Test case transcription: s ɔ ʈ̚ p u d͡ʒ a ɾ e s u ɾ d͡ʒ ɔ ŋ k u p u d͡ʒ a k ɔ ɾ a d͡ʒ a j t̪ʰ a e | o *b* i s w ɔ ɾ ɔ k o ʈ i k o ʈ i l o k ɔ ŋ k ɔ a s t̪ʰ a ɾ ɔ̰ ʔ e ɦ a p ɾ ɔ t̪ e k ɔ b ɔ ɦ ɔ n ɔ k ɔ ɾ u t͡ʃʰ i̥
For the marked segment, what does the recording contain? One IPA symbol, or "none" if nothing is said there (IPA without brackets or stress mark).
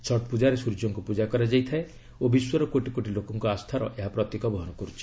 b